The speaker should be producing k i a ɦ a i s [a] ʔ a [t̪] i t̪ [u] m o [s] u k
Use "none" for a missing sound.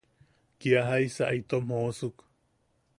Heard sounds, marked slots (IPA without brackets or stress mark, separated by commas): a, none, o, s